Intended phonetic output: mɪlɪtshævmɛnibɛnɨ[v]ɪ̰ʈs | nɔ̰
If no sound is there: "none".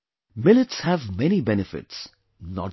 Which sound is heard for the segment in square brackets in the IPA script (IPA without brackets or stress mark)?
f